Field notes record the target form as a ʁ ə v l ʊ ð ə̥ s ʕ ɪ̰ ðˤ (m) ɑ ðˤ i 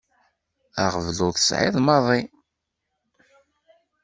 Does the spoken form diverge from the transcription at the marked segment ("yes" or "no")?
no